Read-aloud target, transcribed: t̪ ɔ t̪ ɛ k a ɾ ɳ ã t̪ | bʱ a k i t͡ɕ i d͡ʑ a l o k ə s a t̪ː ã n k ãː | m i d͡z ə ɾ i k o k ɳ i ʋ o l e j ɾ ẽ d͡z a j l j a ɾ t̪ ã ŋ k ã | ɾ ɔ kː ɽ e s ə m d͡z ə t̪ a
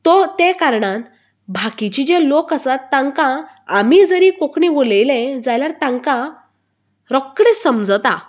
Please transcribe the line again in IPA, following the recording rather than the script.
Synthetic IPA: t̪ ɔ t̪ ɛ k a ɾ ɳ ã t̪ | bʱ a k i t͡ɕ i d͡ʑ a l o k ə s a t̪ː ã ŋ k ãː | m i d͡z ə ɾ i k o k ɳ i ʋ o l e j l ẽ d͡z a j l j a ɾ t̪ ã ŋ k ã | ɾ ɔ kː ɽ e s ə m d͡z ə t̪ a